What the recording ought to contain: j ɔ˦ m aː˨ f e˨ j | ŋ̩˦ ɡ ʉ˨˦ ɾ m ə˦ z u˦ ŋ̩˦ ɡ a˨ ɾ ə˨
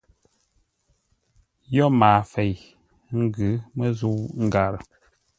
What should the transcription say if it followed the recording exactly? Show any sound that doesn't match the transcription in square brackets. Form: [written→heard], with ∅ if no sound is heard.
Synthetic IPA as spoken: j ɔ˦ m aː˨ f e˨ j | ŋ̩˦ ɡ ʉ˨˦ [ɾ→∅] m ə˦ z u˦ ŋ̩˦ ɡ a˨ ɾ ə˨